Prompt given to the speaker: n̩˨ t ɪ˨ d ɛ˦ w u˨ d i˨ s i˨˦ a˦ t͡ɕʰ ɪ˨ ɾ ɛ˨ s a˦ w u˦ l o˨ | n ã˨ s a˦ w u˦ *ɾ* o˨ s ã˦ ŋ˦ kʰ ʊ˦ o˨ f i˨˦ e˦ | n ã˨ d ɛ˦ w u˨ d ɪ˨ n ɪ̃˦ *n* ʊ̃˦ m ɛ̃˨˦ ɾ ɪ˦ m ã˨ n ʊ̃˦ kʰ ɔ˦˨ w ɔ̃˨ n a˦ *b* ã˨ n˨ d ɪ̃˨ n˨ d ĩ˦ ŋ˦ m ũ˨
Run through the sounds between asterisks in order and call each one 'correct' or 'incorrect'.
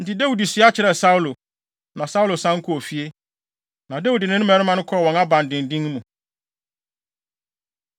incorrect: l, correct, correct

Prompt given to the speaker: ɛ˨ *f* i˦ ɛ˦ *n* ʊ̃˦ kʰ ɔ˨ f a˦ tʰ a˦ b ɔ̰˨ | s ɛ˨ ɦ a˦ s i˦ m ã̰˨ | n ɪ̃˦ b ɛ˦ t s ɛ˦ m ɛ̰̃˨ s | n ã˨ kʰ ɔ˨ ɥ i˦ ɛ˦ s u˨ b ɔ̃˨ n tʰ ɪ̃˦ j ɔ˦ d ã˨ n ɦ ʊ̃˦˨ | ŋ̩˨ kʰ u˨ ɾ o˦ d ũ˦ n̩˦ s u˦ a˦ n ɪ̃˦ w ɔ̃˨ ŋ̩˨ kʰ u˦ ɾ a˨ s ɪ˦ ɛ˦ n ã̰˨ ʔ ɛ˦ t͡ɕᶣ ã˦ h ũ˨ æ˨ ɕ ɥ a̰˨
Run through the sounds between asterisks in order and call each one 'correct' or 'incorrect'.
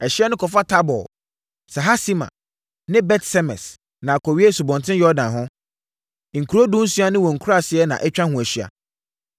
incorrect: ɕ, correct

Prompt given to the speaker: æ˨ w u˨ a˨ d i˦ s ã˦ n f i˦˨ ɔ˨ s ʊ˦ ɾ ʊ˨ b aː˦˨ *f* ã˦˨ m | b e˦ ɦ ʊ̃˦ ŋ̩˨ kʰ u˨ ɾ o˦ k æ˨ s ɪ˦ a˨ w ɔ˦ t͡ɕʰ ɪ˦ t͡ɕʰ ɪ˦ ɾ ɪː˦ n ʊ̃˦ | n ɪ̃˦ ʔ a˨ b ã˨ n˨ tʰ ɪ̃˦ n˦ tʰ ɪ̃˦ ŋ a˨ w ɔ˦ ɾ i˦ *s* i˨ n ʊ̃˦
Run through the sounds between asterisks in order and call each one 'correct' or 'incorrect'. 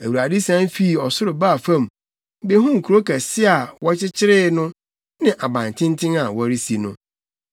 correct, correct

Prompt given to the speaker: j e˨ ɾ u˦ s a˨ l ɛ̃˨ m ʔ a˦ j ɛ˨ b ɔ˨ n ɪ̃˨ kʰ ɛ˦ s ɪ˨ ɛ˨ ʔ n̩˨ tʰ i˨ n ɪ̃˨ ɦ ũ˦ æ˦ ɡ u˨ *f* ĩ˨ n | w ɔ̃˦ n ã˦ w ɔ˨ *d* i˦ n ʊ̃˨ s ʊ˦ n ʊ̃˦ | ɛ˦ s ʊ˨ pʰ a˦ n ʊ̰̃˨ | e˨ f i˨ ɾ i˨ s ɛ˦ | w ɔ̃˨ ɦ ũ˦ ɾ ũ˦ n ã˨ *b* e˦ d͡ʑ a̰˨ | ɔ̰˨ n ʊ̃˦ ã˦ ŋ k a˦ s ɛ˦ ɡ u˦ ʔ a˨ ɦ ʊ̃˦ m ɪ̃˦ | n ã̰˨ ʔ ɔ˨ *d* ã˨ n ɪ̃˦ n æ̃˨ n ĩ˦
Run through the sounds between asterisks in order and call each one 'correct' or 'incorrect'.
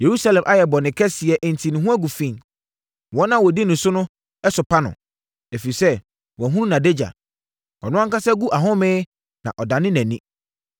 correct, correct, incorrect: d, correct

